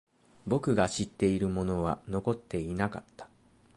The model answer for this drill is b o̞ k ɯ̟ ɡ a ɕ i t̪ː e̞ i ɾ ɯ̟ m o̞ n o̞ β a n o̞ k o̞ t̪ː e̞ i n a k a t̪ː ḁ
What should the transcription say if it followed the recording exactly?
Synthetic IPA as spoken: b o̞ k ɯ̟ ɡ a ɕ i t̪ː e̞ i ɾ ɯ̟ m o̞ n o̞ β a n o̞ k o̞ t̪ː e̞ i n a k a t̪ː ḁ